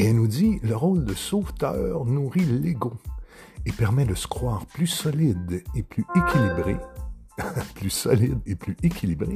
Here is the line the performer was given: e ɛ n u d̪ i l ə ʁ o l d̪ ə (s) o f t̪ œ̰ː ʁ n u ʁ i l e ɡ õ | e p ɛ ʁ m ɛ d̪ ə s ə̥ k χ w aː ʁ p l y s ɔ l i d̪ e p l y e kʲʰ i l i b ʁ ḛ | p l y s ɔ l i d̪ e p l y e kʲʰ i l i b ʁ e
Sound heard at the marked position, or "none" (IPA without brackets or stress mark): s